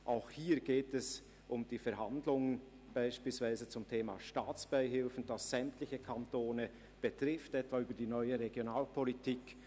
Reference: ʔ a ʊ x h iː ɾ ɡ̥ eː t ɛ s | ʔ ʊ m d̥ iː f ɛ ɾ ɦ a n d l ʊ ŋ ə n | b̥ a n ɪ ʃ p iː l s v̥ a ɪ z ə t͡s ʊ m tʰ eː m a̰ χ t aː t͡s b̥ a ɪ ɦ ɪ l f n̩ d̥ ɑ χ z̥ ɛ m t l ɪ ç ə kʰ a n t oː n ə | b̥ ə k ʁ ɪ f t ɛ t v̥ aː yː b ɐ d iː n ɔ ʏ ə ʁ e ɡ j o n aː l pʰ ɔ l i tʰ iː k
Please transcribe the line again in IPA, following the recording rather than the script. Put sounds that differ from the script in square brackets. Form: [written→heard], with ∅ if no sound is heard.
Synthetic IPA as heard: ʔ a ʊ x h iː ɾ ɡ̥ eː t ɛ s | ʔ ʊ m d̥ iː f ɛ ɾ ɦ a n d l ʊ ŋ ə n | b̥ a [n→∅] ɪ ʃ p iː l s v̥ a ɪ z ə t͡s ʊ m tʰ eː m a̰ [χ→ʃ] t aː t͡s b̥ a ɪ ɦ ɪ l f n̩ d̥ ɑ [χ→s] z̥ ɛ m t l ɪ ç ə kʰ a n t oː n ə | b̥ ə [k→t] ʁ ɪ f t ɛ t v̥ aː yː b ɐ d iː n ɔ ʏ ə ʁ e ɡ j o n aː l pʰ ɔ l i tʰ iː k